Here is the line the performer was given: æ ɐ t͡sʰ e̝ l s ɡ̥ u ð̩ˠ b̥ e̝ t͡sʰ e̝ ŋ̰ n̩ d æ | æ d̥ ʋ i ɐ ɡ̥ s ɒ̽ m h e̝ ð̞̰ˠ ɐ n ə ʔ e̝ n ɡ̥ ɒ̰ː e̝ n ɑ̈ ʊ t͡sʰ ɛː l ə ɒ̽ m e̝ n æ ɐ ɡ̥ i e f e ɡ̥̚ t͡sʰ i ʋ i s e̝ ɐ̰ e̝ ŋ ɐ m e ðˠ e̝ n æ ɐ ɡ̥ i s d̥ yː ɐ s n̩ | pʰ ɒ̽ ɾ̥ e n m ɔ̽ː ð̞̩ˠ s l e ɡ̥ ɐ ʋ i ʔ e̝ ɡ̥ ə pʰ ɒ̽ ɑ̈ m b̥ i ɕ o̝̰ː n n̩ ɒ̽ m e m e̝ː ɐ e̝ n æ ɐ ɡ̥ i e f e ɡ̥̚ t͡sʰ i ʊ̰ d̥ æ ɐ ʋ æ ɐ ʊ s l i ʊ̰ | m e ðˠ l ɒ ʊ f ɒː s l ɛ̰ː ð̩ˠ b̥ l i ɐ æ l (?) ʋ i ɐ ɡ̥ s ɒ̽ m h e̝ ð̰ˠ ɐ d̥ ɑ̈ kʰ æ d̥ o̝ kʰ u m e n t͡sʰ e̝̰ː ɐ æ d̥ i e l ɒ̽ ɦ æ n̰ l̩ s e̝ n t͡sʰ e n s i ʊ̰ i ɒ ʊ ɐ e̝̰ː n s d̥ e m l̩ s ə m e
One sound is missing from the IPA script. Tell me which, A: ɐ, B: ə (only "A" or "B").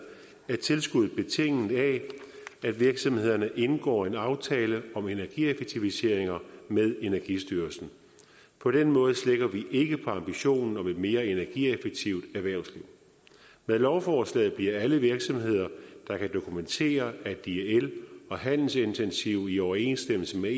B